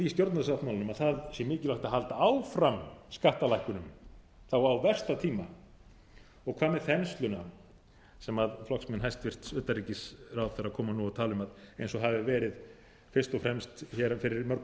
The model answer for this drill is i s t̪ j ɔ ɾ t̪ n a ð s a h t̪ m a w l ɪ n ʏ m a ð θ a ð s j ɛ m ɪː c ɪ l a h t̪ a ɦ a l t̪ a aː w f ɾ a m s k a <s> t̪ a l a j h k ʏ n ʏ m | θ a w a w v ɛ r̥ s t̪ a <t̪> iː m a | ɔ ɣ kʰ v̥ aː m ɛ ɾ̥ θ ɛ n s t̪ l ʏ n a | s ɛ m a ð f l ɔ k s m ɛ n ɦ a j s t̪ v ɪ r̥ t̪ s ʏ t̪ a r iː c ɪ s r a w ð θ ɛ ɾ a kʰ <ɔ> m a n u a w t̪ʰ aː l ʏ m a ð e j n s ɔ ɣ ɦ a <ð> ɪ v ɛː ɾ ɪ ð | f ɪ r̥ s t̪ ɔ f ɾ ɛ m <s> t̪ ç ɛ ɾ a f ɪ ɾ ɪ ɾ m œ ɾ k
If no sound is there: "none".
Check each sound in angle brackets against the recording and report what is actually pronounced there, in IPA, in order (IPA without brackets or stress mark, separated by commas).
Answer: h, t̪ʰ, ɔː, v, s